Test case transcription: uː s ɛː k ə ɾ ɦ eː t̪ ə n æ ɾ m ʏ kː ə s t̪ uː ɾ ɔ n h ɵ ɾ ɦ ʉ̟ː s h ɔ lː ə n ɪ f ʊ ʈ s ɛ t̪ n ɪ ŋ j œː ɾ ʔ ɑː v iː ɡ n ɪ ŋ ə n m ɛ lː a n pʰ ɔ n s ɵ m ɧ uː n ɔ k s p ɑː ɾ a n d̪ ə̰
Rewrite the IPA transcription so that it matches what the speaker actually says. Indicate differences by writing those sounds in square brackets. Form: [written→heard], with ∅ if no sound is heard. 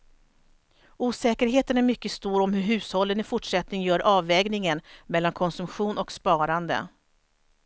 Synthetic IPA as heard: uː s ɛː k ə ɾ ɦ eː t̪ ə n æ ɾ m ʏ kː ə s t̪ uː ɾ ɔ [n→m] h ɵ ɾ ɦ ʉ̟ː s h ɔ lː ə n ɪ f ʊ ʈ [s→ʂ] ɛ t̪ n ɪ ŋ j œː ɾ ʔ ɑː v [iː→ɛː] ɡ n ɪ ŋ ə n m ɛ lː a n [pʰ→kʰ] ɔ n s ɵ m ɧ uː n ɔ k s p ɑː ɾ a n d̪ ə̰